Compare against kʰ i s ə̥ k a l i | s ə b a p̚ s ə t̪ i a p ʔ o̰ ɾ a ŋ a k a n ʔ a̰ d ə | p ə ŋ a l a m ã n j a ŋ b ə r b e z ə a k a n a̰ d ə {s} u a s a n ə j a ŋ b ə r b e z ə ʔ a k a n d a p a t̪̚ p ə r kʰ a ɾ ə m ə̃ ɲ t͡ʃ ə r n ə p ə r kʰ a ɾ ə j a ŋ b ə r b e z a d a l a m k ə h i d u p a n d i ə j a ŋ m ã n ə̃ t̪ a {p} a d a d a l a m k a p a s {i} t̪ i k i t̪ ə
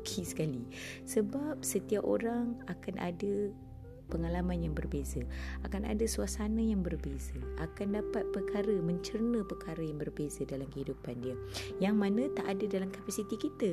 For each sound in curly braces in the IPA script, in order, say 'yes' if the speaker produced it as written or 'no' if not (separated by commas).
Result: yes, no, yes